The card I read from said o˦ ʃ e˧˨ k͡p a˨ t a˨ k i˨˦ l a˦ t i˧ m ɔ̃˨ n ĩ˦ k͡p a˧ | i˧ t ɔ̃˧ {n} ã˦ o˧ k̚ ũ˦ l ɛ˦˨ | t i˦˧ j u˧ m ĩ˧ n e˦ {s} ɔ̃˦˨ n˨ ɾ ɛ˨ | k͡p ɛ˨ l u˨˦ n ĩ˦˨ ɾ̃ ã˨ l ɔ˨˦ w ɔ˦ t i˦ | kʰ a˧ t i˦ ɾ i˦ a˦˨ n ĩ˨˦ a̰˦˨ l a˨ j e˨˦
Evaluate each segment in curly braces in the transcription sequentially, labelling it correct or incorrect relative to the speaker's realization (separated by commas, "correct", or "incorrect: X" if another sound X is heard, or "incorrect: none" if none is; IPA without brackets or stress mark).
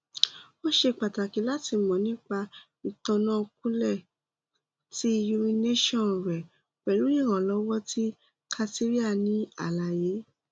correct, incorrect: ʃ